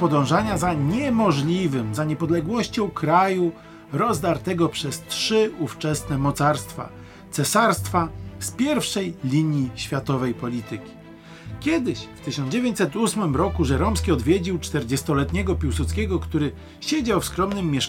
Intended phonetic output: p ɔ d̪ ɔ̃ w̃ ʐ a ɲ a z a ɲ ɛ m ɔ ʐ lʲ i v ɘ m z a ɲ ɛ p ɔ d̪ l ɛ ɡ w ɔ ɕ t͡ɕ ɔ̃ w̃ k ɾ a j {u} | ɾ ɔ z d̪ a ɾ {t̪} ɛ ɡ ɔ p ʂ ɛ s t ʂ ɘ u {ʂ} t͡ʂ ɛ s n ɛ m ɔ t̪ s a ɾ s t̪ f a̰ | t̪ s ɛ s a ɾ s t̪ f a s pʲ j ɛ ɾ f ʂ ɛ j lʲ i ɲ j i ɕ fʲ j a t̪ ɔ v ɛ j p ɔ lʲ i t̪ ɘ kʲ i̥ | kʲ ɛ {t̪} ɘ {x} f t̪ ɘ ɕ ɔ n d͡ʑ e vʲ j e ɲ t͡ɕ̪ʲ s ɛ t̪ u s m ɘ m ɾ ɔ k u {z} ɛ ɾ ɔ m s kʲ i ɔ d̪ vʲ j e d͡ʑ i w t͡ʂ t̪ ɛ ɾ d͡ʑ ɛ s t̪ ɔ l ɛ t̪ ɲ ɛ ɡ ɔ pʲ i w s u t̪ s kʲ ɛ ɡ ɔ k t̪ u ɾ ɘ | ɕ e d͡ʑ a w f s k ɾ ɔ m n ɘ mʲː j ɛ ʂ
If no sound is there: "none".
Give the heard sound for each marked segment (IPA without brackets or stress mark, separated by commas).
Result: u, t̪, f, d̪, ɕ, ʐ